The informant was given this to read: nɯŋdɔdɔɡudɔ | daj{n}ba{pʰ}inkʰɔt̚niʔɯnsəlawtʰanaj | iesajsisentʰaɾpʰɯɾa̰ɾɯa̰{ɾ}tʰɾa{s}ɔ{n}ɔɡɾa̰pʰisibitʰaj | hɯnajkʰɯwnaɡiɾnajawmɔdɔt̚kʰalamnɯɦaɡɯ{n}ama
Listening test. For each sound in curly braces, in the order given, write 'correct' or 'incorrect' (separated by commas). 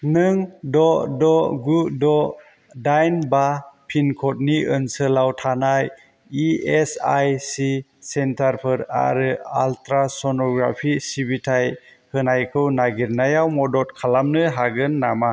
correct, correct, incorrect, correct, correct, incorrect